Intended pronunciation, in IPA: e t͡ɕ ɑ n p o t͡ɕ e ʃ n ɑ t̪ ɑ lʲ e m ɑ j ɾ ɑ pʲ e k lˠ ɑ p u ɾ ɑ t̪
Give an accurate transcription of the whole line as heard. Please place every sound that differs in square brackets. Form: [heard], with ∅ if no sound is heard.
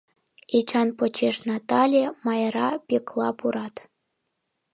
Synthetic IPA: e t͡ɕ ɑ n p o t͡ɕ e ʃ n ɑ t̪ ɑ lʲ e m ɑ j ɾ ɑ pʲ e k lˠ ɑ p u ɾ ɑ t̪